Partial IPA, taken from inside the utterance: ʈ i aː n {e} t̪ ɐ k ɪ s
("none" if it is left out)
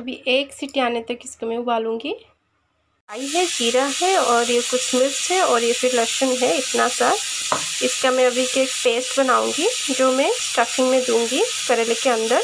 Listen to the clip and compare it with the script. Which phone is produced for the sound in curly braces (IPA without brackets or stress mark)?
e